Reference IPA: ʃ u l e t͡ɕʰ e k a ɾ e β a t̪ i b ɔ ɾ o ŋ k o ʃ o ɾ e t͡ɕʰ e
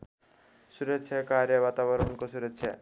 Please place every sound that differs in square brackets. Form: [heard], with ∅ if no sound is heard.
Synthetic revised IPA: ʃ u [ɾ] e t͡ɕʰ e k a ɾ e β a t̪ [a] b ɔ ɾ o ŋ k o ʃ [u] ɾ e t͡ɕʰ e